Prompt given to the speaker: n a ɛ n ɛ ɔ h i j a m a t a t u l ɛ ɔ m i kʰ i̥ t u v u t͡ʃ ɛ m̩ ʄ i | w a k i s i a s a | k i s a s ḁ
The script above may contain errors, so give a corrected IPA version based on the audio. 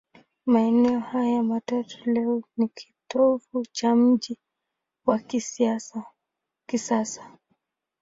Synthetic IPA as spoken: m a ɛ n ɛ ɔ h a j a m a t a t u l ɛ ɔ n i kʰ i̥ t ɔ v u t͡ʃ a m̩ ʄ i | w a k i s i a s a | k i s a s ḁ

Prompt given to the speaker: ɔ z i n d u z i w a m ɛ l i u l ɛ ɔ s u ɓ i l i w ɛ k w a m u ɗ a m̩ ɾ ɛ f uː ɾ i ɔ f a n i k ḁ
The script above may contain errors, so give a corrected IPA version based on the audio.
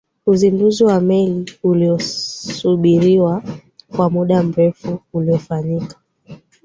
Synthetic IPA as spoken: u z i n d u z i w a m ɛ l i u l i ɔ s u ɓ i ɾ i w a k w a m u ɗ a m̩ ɾ ɛ f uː l i ɔ f a ɲ i k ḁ

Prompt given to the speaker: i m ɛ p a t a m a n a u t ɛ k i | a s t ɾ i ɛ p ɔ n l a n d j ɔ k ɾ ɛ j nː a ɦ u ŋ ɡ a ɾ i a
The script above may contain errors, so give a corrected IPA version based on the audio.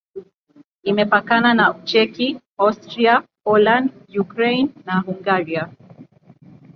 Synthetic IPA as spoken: i m ɛ p a k a n a n a u t͡ʃ ɛ k i | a s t ɾ i a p ɔ l a n d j u k ɾ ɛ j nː a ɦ u ŋ ɡ a ɾ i a

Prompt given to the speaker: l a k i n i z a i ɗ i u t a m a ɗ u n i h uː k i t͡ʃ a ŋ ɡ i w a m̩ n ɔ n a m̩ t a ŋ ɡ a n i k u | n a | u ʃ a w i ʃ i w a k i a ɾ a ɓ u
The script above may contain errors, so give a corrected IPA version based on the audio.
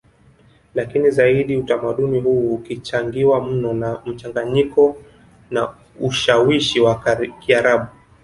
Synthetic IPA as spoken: l a k i n i z a i ɗ i u t a m a ɗ u n i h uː k i t͡ʃ a ŋ ɡ i w a m̩ n ɔ n a m̩ t͡ʃ a ŋ ɡ a ɲ i k ɔ | n a | u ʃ a w i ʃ i w a k i a ɾ a ɓ u

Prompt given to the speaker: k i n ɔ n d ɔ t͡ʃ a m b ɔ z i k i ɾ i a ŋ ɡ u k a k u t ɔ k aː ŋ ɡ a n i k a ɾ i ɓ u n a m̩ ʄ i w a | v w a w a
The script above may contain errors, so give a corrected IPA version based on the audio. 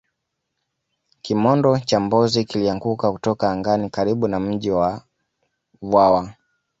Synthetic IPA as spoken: k i m ɔ n d ɔ t͡ʃ a m b ɔ z i k i l i a ŋ ɡ u k a k u t ɔ k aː ŋ ɡ a n i k a ɾ i ɓ u n a m̩ ʄ i w a | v w a w a

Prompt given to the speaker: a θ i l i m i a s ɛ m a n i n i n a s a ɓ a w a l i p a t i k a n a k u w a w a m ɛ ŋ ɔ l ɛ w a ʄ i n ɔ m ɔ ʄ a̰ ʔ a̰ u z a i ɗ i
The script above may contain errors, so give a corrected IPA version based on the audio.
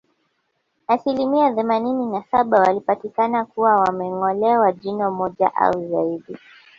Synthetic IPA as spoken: a s i l i m i a θ ɛ m a n i n i n a s a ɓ a w a l i p a t i k a n a k u w a w a m ɛ ŋ ɔ l ɛ w a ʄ i n ɔ m ɔ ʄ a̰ ʔ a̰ u z a i ɗ i

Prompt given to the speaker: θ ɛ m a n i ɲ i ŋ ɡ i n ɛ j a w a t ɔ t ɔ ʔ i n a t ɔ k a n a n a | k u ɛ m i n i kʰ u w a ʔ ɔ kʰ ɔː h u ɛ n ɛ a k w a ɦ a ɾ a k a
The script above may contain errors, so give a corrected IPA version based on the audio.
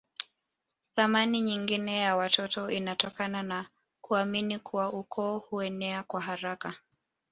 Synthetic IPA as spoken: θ a m a n i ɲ i ŋ ɡ i n ɛ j a w a t ɔ t ɔ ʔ i n a t ɔ k a n a n a | k u a m i n i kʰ u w a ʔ u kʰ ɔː h u ɛ n ɛ a k w a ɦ a ɾ a k a

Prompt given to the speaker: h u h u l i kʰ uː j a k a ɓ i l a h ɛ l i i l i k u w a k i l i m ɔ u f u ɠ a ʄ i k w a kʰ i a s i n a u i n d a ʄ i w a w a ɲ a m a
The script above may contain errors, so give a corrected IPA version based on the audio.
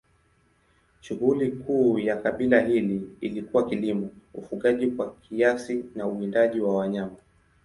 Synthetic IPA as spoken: ʃ u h u l i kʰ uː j a k a ɓ i l a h i l i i l i k u w a k i l i m ɔ u f u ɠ a ʄ i k w a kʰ i a s i n a u i n d a ʄ i w a w a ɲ a m a

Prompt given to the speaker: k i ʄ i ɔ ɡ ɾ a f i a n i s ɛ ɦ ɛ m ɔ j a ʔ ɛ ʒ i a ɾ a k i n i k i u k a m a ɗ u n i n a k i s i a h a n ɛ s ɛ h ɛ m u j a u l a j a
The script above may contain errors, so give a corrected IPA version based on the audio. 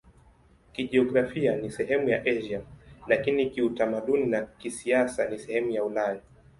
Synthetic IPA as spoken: k i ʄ i ɔ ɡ ɾ a f i a n i s ɛ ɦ ɛ m u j a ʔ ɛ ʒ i a l a k i n i k i u t a m a ɗ u n i n a k i s i a s a n i s ɛ h ɛ m u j a u l a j a

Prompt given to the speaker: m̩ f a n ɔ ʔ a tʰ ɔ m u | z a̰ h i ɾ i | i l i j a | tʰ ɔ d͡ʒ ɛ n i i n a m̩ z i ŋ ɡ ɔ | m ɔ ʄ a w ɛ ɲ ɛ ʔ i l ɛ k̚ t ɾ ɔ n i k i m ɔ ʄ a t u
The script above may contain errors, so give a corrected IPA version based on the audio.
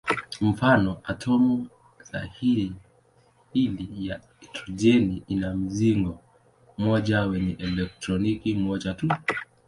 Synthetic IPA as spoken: m̩ f a n ɔ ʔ a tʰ ɔ m u | z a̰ h i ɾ i | i l i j a | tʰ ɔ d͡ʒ ɛ n i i n a m̩ z i ŋ ɡ ɔ | m ɔ ʄ a w ɛ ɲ ɛ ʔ ɛ l ɛ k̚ t ɾ ɔ n i k i m ɔ ʄ a t u

